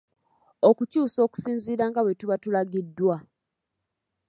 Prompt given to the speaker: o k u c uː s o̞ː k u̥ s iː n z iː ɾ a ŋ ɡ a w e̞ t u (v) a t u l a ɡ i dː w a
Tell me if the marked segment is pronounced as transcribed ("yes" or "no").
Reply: no